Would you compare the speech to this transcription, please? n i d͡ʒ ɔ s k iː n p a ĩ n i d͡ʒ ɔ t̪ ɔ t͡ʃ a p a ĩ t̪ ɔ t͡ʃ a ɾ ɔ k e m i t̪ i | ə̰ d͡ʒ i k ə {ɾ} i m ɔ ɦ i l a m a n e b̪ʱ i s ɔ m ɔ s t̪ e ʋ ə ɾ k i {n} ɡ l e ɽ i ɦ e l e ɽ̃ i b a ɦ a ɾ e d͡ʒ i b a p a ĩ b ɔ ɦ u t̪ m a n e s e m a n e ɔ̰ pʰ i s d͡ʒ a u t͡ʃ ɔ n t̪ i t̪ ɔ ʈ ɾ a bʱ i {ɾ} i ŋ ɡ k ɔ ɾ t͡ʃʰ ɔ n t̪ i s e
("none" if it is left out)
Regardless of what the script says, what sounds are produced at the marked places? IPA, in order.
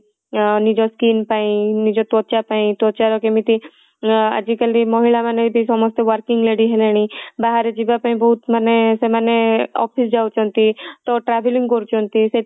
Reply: l, ŋ, l

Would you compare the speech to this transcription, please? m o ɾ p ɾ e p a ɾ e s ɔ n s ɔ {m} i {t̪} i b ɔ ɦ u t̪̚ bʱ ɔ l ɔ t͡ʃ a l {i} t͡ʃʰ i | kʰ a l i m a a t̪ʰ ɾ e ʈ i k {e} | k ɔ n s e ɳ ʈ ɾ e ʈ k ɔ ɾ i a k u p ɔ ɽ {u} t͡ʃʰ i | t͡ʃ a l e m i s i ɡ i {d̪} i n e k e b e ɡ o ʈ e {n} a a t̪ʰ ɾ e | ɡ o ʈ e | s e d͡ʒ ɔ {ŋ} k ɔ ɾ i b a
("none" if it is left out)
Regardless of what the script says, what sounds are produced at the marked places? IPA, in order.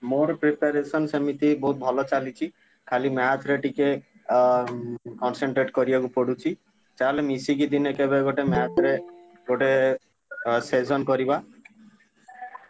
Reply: m, t̪, i, e, u, d̪, m, n

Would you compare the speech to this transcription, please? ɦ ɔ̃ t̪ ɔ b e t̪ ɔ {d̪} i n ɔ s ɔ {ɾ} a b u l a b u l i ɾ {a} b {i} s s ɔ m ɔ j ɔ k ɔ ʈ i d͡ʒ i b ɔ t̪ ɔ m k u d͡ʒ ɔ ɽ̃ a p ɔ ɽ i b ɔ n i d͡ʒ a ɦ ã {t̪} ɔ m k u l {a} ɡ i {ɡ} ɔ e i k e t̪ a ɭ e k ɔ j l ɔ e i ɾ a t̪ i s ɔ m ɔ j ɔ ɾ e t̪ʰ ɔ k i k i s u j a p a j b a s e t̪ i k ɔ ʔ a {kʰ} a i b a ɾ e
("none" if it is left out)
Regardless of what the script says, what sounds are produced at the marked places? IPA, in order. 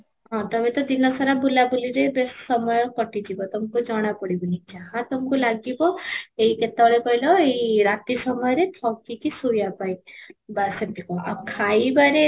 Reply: d̪, ɾ, e, e, t̪, a, b, kʰ

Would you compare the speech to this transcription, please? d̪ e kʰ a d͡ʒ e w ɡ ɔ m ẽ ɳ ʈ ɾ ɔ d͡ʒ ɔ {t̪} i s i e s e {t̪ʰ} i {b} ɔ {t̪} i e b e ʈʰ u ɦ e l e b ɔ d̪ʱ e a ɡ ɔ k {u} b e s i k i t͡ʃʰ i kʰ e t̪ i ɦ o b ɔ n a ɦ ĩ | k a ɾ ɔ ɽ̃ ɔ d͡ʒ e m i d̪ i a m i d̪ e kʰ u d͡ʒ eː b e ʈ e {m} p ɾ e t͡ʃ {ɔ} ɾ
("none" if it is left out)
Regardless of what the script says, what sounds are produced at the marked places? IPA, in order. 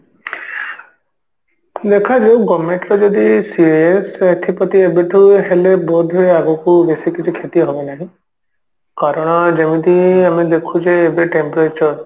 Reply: d̪, t̪ʰ, p, t̪, u, m, ɔ

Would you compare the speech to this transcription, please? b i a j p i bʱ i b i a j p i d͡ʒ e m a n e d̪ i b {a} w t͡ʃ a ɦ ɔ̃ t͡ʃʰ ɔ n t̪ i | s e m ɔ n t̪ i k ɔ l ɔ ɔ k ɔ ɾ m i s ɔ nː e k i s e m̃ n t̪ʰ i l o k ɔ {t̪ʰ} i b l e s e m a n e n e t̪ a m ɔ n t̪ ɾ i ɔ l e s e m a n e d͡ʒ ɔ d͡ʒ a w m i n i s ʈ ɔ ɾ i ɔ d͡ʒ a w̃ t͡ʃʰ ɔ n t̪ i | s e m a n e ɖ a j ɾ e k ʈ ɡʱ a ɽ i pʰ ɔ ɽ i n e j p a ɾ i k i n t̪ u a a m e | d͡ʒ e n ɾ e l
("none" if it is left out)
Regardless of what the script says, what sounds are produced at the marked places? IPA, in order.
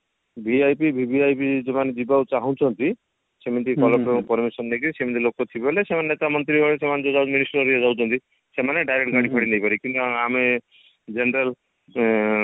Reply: a, t̪ʰ

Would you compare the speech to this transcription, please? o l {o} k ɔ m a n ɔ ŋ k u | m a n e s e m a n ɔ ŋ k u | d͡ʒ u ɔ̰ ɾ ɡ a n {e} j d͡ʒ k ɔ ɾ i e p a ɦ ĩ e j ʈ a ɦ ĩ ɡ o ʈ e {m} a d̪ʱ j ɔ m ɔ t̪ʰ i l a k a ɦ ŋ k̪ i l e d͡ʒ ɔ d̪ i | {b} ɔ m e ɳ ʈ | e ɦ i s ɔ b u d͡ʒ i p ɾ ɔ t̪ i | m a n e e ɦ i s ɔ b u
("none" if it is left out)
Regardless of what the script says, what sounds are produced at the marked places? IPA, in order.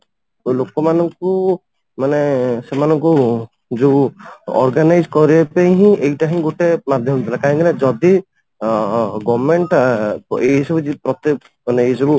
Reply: o, a, m, ɡ

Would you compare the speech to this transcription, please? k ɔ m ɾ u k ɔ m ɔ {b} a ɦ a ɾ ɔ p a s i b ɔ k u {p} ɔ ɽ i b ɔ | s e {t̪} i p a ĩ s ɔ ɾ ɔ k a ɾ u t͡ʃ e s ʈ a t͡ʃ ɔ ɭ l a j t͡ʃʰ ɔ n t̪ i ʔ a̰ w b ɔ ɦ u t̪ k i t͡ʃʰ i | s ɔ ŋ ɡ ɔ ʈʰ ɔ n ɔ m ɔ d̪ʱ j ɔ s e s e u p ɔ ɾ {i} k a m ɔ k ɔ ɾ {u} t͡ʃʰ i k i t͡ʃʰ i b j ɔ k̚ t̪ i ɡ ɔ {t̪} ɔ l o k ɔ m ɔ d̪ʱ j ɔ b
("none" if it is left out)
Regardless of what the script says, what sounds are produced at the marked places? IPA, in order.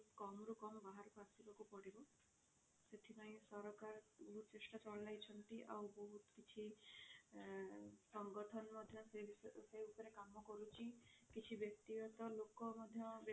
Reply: b, p, t̪ʰ, e, u, t̪

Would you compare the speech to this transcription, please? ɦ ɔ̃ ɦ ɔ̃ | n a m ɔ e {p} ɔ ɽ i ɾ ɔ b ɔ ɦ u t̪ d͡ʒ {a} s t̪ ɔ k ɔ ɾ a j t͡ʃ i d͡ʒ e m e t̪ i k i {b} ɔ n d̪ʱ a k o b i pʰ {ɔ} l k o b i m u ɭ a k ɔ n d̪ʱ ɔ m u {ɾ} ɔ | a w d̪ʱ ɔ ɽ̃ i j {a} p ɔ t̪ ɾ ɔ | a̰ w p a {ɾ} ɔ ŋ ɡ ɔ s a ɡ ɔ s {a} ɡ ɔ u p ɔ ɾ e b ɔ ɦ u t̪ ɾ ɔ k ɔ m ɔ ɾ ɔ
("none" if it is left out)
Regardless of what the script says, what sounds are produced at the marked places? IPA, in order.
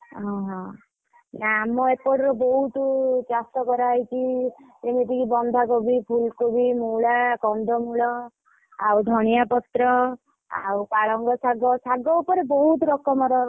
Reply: p, a, b, u, ɭ, a, ɭ, a

